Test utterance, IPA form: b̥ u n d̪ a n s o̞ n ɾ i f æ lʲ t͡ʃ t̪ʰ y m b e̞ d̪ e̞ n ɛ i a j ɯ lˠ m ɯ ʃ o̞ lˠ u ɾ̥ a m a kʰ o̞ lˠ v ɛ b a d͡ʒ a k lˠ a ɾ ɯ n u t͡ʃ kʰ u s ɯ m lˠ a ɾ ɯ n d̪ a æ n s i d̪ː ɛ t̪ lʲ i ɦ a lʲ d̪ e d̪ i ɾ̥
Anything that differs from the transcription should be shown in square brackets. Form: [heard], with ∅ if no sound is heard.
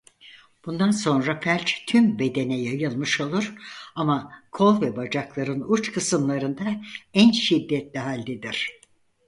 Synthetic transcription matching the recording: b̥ u n d̪ a n s o̞ n ɾ [a] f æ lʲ t͡ʃ t̪ʰ y m b e̞ d̪ e̞ n ɛ [j] a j ɯ lˠ m ɯ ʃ o̞ lˠ u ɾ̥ a m a kʰ o̞ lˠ v ɛ b a d͡ʒ a k lˠ a ɾ ɯ n u t͡ʃ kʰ [ɯ] s ɯ m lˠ a ɾ ɯ n d̪ a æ n [ʃ] i d̪ː ɛ t̪ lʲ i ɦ a lʲ d̪ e d̪ i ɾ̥